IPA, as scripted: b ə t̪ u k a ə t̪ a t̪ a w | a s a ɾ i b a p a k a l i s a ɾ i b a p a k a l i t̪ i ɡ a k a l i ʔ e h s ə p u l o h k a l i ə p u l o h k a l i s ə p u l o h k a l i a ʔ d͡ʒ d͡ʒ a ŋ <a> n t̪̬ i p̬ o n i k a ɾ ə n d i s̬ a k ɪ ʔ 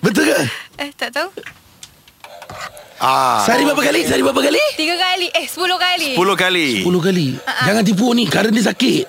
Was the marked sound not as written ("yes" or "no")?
no